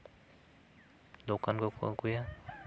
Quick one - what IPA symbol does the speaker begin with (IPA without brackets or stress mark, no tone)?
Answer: d̪